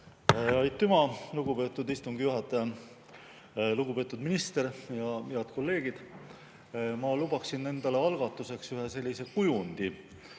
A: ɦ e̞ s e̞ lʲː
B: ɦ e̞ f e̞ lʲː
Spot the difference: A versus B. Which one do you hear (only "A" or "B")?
A